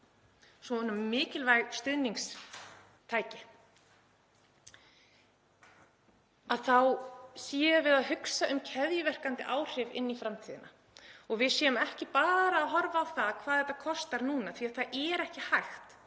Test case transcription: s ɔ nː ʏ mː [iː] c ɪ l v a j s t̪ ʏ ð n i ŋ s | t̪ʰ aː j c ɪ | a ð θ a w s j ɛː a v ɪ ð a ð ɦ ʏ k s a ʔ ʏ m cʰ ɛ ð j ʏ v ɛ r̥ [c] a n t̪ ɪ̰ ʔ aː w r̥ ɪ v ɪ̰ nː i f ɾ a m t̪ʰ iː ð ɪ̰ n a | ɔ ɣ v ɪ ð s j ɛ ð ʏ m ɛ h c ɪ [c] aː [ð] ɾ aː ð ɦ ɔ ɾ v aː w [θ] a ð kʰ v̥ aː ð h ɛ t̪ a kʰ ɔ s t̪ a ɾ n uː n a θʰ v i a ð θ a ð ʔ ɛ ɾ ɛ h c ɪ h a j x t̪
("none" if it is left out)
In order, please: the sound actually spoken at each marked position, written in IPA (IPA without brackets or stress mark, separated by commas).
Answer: ɪː, k, p, ð, θ